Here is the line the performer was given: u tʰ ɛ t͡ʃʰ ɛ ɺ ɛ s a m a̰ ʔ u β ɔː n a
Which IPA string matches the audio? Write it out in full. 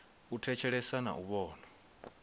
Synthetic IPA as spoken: u tʰ ɛ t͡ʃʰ ɛ ɺ ɛ s a n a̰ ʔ u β ɔː n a